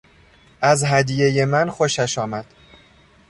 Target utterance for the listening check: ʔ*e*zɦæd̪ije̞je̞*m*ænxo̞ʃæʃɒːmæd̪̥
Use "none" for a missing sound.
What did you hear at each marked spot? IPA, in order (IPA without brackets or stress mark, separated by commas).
æ, m